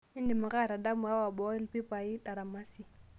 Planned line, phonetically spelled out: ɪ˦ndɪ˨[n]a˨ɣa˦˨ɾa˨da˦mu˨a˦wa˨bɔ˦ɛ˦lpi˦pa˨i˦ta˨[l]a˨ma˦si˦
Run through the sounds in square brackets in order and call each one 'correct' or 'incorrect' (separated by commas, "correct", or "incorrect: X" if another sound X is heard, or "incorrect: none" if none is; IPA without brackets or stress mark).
incorrect: m, incorrect: ɾ